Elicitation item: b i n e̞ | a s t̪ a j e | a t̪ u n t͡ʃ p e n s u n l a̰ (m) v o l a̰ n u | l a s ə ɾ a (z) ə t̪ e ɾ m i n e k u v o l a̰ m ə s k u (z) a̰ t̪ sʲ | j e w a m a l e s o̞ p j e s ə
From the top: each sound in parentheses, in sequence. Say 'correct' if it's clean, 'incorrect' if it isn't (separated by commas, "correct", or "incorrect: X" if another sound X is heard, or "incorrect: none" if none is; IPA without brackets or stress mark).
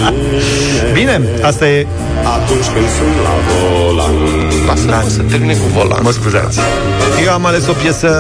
incorrect: none, incorrect: s, correct